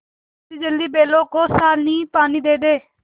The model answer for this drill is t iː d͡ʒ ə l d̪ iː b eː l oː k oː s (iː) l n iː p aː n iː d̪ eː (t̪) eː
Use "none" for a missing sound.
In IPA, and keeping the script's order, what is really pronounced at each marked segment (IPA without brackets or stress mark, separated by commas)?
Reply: aː, d̪